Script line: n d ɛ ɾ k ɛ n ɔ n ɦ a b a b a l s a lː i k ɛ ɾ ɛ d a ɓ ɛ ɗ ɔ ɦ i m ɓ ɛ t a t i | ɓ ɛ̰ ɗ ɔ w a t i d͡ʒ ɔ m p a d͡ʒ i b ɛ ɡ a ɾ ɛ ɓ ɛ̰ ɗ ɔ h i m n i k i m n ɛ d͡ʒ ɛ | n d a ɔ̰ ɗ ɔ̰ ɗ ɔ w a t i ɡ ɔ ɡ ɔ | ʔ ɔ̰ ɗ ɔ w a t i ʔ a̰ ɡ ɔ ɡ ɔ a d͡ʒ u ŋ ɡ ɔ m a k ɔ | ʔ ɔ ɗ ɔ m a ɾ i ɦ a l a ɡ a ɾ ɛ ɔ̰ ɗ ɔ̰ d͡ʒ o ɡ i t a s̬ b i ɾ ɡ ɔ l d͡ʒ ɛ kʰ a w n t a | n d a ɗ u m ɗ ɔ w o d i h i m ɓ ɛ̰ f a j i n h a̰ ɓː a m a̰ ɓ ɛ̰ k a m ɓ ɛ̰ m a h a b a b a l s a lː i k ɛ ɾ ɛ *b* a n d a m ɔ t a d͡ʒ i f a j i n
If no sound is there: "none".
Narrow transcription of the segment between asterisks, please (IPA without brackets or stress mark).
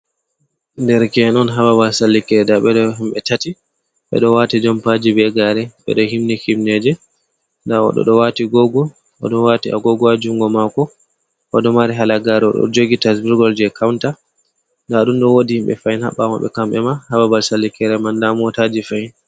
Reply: m